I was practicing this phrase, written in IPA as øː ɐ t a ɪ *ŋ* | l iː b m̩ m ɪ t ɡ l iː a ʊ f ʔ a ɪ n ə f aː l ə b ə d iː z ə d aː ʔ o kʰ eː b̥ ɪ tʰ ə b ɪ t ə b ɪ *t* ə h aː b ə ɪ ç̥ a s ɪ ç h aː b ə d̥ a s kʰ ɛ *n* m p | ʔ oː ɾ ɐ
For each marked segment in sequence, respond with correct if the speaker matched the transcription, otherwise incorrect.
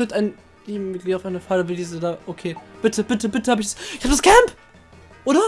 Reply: incorrect: n, correct, incorrect: none

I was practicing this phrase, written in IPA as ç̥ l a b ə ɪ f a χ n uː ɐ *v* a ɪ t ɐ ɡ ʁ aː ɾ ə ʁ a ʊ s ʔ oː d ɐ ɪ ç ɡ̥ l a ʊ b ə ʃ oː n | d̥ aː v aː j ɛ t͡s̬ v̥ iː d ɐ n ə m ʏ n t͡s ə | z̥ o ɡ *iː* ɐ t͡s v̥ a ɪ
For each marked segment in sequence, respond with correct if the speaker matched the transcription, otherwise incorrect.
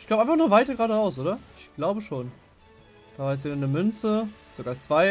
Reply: correct, incorrect: aː

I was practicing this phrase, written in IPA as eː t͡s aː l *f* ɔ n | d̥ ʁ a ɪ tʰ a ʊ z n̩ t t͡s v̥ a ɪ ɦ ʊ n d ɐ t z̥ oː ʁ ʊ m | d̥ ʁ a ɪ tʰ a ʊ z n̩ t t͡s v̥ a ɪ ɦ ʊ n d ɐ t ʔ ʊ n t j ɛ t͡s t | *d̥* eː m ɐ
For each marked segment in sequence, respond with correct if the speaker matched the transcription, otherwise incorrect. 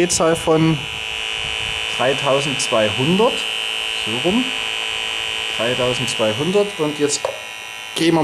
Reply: correct, incorrect: ɡ̥

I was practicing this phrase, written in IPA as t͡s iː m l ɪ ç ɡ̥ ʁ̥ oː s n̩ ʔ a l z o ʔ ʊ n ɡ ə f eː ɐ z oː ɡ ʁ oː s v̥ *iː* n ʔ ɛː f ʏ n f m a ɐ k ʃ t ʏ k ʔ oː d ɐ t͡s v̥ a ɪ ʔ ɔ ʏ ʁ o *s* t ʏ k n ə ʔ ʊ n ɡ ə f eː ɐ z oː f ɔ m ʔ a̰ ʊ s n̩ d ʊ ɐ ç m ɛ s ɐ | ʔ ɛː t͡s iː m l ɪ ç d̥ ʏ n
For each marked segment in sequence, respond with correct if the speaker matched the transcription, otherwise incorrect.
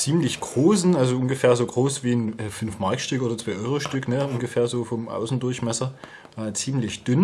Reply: correct, incorrect: ʃ

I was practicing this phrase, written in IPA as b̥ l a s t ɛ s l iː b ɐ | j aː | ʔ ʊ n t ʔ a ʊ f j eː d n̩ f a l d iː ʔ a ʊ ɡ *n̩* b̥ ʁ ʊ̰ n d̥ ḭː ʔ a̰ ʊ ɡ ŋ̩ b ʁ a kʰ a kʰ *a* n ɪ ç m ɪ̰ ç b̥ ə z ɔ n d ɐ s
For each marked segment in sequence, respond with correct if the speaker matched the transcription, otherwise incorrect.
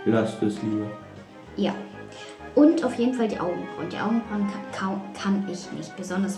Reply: incorrect: ŋ̩, correct

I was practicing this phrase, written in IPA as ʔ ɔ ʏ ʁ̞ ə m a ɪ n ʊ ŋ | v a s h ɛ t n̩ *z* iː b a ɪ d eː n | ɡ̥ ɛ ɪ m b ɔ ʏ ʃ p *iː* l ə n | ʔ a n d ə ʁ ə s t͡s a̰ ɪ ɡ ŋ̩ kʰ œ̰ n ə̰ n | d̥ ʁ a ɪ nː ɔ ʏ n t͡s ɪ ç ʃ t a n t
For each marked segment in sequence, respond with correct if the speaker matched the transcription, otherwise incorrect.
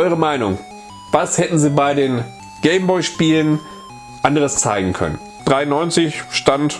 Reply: correct, correct

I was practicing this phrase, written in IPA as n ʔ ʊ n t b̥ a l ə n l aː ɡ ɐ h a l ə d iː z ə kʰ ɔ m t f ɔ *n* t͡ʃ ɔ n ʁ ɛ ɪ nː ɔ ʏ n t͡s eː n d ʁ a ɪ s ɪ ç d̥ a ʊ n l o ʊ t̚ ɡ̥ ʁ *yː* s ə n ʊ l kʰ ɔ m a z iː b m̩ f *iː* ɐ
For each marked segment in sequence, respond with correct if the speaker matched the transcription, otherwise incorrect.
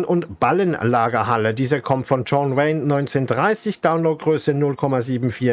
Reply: correct, incorrect: øː, correct

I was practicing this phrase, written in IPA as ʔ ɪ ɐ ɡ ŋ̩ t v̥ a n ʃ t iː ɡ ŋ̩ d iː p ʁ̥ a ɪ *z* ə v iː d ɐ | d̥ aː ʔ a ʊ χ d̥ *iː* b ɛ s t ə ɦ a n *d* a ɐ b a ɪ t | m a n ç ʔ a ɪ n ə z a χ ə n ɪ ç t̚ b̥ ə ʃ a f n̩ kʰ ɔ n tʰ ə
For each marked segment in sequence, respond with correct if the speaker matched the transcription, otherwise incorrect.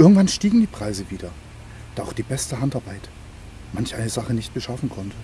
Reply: correct, correct, incorrect: t

